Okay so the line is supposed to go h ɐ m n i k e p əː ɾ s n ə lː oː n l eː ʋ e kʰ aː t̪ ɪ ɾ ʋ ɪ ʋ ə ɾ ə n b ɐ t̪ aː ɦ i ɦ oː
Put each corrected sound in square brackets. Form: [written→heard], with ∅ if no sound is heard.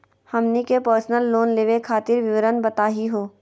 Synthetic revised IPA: h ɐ m n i k e p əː ɾ s n ə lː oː n l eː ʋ e kʰ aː t̪ ɪ ɾ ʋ ɪ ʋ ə ɾ ə n b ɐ t̪ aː ɦ i ɦ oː